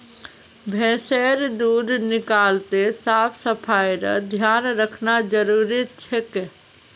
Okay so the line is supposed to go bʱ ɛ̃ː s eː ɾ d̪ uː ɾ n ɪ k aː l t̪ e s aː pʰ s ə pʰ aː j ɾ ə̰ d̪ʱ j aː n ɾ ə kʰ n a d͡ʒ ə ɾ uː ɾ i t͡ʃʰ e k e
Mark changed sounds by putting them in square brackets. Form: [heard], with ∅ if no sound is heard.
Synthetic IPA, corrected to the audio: bʱ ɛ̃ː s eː ɾ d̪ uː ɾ n ɪ k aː l t̪ e s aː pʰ s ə pʰ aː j ɾ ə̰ d̪ʱ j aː n ɾ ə kʰ n a d͡ʒ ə ɾ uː ɾ i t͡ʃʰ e k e